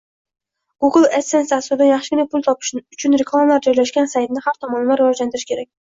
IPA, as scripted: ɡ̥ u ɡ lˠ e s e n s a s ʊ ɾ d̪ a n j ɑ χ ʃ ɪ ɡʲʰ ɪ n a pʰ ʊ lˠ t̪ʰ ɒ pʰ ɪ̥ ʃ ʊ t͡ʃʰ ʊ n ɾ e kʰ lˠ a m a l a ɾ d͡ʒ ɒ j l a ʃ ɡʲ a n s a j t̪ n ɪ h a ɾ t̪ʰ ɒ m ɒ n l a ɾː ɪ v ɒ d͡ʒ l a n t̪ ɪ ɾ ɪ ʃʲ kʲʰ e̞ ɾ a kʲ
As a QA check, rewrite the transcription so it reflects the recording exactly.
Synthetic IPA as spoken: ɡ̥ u ɡ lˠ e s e n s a s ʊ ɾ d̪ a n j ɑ χ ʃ ɪ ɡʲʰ ɪ n a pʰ ʊ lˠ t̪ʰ ɒ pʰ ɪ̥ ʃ ʊ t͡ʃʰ ʊ n ɾ e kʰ lˠ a m a l a ɾ d͡ʒ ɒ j l a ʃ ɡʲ a n s a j t̪ n ɪ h a ɾ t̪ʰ ɒ m ɒ n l a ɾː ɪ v ɒ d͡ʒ l a n t̪ ɪ ɾ ɪ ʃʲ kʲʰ e̞ ɾ a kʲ